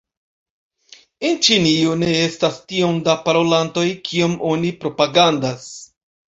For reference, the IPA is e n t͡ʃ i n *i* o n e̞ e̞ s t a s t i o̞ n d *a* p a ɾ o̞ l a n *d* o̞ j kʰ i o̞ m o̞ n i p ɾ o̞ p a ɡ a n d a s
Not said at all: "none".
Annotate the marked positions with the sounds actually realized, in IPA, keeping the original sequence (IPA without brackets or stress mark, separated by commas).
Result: i, a, t